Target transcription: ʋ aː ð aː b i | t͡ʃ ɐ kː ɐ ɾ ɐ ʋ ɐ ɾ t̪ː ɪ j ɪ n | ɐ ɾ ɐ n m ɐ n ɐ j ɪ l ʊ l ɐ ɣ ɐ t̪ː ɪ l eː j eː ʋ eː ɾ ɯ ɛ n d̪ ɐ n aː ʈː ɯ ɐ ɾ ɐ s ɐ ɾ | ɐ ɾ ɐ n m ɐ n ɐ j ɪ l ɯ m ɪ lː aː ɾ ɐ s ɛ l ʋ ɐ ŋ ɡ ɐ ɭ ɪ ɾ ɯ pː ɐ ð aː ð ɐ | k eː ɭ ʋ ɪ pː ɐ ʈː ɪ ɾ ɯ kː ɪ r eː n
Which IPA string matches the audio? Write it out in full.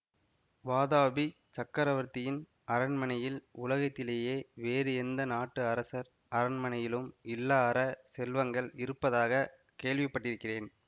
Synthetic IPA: ʋ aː ð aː b i | t͡ʃ ɐ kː ɐ ɾ ɐ ʋ ɐ ɾ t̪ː ɪ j ɪ n | ɐ ɾ ɐ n m ɐ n ɐ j ɪ l ʊ l ɐ ɣ ɐ t̪ː ɪ l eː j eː ʋ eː ɾ ɯ ɛ n d̪ ɐ n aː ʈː ɯ ɐ ɾ ɐ s ɐ ɾ | ɐ ɾ ɐ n m ɐ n ɐ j ɪ l ɯ m ɪ lː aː ɾ ɐ s ɛ l ʋ ɐ ŋ ɡ ɐ ɭ ɪ ɾ ɯ pː ɐ ð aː ɣ ɐ | k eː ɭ ʋ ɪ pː ɐ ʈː ɪ ɾ ɯ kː ɪ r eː n